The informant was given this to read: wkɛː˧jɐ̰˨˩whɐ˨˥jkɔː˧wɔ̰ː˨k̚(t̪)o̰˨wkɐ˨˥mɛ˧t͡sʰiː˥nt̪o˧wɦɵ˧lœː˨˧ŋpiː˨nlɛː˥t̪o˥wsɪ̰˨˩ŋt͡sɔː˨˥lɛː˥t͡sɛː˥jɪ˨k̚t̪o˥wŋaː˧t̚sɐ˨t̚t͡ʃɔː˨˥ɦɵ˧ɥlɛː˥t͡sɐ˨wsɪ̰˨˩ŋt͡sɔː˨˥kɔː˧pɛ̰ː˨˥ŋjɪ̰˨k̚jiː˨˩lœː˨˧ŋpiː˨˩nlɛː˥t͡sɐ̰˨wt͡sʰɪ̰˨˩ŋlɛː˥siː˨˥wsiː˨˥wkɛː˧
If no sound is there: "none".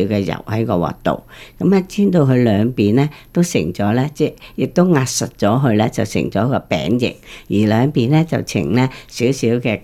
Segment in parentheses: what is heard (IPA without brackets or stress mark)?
t̪